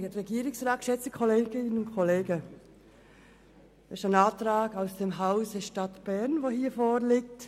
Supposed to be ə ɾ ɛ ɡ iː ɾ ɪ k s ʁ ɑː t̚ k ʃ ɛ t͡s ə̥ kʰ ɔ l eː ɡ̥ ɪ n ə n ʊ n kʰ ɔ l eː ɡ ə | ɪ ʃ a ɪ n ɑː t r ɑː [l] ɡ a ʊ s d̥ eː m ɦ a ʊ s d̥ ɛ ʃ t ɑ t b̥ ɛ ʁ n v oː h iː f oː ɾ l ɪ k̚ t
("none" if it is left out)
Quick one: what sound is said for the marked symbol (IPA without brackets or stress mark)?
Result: none